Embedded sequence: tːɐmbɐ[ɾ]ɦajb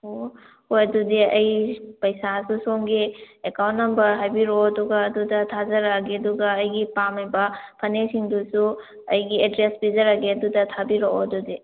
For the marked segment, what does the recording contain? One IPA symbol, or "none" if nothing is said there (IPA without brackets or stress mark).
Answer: ɾ